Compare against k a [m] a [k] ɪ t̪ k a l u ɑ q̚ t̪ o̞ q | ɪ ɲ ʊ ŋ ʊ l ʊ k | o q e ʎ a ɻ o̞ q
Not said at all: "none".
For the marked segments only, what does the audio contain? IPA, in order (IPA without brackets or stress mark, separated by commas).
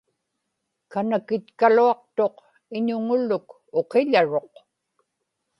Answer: n, k